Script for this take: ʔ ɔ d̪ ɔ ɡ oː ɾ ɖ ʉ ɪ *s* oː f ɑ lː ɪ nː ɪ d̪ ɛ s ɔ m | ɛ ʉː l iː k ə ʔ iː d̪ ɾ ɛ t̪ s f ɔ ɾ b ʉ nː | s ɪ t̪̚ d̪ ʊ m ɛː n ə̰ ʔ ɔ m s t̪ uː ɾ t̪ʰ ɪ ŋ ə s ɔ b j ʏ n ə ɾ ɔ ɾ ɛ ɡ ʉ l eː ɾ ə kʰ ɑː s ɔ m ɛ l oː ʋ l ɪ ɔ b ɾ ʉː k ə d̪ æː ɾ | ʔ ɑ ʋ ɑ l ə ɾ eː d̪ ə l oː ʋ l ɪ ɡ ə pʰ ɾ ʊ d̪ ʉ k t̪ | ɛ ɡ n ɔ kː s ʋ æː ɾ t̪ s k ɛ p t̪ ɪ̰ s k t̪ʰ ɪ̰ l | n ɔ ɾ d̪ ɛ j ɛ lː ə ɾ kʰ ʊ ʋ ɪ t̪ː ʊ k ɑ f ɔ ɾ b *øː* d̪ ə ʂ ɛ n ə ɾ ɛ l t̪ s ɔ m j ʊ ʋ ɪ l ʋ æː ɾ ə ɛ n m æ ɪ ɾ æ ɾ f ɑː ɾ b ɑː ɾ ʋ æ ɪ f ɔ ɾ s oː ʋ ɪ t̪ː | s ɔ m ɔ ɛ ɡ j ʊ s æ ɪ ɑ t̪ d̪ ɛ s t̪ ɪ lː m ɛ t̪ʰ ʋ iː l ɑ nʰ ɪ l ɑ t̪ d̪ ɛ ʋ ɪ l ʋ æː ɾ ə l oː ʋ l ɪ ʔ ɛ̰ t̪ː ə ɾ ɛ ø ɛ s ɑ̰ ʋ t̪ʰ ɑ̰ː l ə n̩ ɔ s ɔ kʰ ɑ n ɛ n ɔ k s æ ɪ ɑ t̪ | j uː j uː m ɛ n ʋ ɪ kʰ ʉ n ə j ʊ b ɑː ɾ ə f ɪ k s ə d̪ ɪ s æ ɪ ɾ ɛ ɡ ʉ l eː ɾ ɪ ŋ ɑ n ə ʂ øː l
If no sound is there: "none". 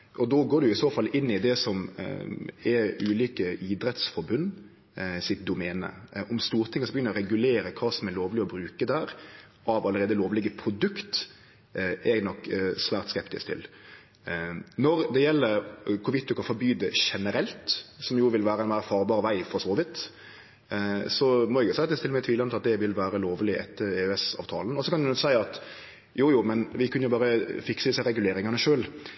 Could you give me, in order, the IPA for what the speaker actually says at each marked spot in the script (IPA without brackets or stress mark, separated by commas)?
s, yː